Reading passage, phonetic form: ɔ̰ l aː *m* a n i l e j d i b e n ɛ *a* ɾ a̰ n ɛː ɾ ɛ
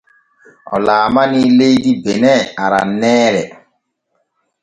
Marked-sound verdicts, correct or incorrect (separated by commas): correct, correct